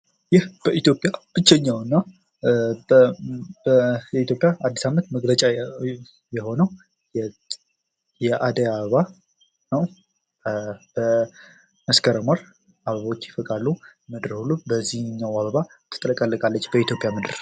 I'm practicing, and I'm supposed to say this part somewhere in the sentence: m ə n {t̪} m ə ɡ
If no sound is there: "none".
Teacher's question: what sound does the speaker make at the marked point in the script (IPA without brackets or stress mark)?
t̪